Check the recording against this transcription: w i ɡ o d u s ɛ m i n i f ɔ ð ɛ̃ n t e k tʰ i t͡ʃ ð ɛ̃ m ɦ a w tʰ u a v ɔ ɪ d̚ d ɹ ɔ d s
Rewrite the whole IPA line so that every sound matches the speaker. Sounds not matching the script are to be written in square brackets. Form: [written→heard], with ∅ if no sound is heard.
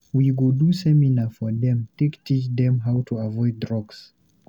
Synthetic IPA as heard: w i ɡ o d u s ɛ m i n [i→a] f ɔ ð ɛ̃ [n→m] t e k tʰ i t͡ʃ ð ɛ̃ m ɦ a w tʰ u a v ɔ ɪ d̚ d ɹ ɔ [d→ɡ] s